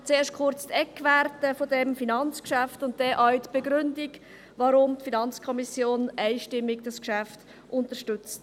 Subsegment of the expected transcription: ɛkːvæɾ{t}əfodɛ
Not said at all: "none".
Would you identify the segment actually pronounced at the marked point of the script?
t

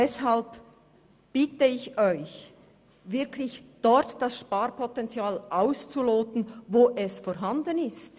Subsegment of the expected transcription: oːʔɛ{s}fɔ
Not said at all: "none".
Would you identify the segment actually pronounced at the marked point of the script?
s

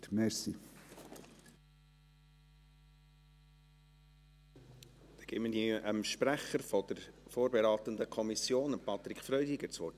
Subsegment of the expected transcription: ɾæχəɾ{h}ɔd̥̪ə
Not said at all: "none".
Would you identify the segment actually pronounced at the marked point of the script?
f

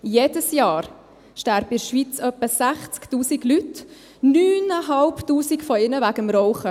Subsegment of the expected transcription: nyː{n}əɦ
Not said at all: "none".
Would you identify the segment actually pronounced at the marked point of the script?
n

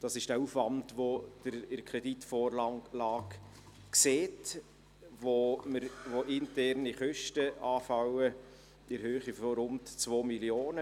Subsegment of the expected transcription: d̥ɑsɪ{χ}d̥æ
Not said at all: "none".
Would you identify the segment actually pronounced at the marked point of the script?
ʃ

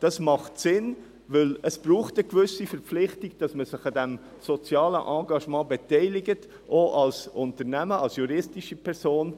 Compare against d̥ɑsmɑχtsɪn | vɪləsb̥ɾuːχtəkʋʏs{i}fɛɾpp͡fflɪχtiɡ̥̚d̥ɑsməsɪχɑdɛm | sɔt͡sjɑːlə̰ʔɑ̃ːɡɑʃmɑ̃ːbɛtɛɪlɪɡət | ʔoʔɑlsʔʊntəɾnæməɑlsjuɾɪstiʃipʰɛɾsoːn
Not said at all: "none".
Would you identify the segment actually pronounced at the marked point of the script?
i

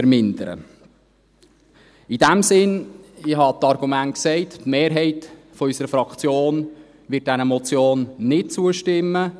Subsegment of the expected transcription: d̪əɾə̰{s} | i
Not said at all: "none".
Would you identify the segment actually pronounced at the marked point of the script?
none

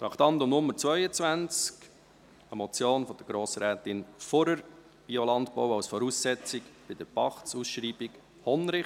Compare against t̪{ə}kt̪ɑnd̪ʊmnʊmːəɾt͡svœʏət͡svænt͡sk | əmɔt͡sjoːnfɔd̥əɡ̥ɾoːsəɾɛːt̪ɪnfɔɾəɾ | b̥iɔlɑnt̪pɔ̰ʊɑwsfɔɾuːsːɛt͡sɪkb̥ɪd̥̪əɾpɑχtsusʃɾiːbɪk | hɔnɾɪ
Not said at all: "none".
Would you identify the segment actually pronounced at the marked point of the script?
ɑ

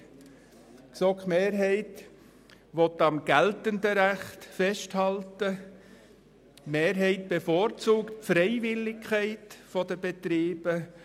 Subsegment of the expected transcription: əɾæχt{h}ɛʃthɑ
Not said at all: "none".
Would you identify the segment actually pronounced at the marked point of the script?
f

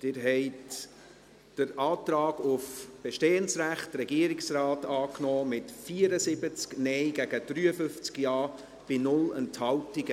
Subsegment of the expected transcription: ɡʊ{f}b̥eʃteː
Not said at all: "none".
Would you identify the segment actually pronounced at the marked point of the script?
f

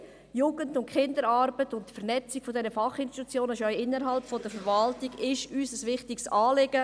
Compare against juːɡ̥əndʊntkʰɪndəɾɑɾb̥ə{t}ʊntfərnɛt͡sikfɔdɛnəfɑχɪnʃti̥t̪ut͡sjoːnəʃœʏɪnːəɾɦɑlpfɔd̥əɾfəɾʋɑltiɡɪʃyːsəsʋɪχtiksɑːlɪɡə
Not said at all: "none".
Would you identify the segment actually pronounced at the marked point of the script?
t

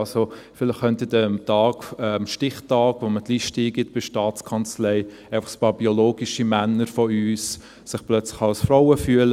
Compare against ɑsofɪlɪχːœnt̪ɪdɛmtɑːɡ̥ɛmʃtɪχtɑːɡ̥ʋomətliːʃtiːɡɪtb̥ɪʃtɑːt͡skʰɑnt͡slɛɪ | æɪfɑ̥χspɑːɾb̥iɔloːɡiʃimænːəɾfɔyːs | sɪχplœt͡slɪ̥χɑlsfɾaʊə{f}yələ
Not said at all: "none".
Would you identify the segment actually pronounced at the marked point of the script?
f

